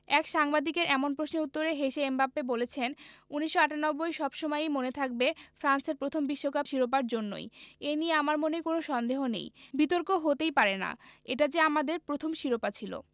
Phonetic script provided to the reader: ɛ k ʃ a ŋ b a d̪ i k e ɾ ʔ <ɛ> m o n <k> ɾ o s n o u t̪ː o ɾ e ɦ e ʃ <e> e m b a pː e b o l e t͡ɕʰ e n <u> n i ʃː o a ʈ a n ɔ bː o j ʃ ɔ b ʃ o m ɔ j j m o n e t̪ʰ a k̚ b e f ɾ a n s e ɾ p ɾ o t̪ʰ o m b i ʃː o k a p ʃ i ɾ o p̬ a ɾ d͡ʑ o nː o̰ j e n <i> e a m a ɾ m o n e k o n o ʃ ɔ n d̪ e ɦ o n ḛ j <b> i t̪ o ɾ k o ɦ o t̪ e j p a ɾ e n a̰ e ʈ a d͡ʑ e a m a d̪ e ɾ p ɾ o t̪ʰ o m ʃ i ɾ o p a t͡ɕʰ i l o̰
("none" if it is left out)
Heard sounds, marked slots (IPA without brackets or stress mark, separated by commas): ɛ, p, e, u, i, b